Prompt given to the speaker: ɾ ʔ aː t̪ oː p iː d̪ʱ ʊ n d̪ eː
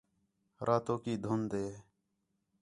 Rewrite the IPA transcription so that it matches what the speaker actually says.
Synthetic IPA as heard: ɾ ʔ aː t̪ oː k iː d̪ʱ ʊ n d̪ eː